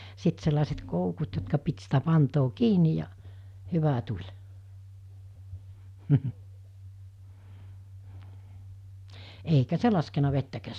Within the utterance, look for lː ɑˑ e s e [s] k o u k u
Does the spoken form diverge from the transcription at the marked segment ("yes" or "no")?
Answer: yes